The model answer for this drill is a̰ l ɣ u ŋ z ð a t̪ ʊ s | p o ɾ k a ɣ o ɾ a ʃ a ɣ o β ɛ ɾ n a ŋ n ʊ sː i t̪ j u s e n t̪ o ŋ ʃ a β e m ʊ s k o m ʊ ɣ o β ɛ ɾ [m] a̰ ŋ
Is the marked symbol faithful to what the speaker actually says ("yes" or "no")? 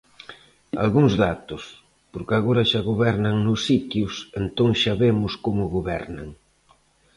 no